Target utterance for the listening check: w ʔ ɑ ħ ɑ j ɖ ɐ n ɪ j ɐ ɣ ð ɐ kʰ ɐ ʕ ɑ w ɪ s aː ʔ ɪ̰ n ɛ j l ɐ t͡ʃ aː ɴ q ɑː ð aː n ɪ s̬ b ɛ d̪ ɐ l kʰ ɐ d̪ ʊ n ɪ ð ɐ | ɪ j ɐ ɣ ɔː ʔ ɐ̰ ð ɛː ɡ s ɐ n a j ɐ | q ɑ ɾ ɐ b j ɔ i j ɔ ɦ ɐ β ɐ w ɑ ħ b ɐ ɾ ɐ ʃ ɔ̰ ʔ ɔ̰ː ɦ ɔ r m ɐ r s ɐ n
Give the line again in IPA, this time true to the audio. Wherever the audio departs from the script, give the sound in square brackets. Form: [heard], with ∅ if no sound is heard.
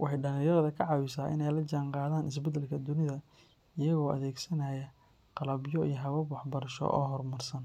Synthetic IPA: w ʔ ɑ ħ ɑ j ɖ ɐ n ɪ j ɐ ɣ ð ɐ kʰ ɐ ʕ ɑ w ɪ s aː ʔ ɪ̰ n ɛ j l ɐ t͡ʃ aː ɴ q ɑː ð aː n ɪ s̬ b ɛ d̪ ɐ l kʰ ɐ d̪ ʊ n ɪ ð ɐ | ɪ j ɐ ɣ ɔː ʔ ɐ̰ ð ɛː ɡ s ɐ n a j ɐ | q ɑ [l] ɐ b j ɔ i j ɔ ɦ ɐ β ɐ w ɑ ħ b ɐ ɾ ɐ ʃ ɔ̰ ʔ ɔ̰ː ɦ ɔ r m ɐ r s ɐ n